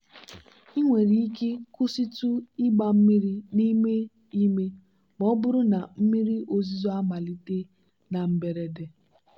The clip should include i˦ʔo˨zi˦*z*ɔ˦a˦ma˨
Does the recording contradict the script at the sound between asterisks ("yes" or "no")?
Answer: no